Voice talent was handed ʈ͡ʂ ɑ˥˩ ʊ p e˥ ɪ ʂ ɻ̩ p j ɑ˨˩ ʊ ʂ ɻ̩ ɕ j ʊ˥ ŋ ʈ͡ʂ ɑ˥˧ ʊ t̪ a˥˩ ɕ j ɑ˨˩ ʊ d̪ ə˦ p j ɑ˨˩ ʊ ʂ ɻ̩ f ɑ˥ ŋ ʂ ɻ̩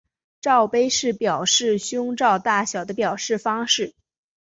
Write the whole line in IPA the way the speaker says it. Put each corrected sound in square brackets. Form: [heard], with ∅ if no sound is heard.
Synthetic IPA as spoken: ʈ͡ʂ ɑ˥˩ ʊ p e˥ ɪ ʂ ɻ̩ p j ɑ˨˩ ʊ ʂ ɻ̩ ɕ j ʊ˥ ŋ ʈ͡ʂ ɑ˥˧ ʊ t̪ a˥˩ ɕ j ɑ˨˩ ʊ d̪ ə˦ p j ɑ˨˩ ʊ ʂ ɻ̩ f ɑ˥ ŋ ʂ ɻ̩